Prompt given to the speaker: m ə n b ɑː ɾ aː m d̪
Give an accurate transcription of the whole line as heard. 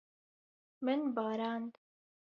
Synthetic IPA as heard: m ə n b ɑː ɾ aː n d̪